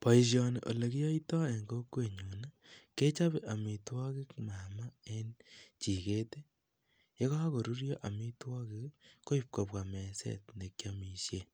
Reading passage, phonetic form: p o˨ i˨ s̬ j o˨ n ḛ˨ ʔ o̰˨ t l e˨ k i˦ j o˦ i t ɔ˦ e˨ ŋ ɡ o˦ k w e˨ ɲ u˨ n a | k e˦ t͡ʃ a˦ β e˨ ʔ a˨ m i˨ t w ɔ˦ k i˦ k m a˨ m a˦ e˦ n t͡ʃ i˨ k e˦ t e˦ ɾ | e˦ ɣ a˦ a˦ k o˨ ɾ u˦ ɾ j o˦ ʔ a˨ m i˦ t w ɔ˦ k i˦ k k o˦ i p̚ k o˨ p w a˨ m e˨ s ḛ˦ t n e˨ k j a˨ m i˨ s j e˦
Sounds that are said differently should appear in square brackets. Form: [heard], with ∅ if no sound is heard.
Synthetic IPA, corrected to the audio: p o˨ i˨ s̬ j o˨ n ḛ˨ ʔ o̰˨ [∅] l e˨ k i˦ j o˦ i t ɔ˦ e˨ ŋ ɡ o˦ k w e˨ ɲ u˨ n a | k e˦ t͡ʃ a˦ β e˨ ʔ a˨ m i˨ t w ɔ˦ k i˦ k m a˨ m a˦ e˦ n t͡ʃ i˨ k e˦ t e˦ [∅] | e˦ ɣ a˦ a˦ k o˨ ɾ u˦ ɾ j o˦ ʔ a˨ m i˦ t w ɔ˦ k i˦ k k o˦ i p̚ k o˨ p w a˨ m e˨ s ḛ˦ t n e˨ k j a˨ m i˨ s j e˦

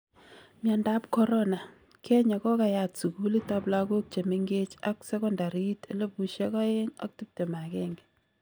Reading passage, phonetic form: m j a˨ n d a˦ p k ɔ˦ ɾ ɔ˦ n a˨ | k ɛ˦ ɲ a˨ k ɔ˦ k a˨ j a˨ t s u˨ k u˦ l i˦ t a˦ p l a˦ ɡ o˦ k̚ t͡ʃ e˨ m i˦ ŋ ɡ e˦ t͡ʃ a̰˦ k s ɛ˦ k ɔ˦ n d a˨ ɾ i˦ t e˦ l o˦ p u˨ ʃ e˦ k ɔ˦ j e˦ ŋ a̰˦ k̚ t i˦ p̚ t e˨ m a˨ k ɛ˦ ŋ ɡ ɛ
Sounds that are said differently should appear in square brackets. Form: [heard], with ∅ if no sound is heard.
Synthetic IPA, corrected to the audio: m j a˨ n d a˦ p k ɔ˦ ɾ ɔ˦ n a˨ | k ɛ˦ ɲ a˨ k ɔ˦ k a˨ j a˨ t s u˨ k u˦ l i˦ t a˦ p l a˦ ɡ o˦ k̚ t͡ʃ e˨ m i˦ ŋ ɡ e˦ t͡ʃ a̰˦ k s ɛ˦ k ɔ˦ n d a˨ ɾ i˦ t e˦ l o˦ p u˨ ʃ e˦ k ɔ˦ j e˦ ŋ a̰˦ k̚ t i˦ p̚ t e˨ m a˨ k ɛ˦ ŋ ɡ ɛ

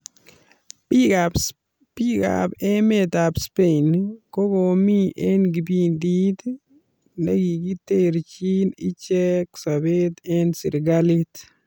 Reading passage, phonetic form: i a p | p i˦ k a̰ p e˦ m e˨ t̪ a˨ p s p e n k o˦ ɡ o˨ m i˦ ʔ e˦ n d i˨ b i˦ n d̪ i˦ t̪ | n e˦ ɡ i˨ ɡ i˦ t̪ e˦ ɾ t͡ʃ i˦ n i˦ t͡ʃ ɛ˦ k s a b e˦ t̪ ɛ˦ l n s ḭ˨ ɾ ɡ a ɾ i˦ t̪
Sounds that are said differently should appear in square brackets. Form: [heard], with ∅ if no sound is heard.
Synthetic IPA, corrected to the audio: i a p | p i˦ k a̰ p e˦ m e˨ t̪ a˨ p s p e n k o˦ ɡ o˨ m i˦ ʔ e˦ n [ɡ] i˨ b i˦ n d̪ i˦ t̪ | n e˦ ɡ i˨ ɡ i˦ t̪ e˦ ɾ t͡ʃ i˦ n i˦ t͡ʃ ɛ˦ k s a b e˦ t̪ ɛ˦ [∅] n s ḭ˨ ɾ ɡ a [l] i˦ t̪

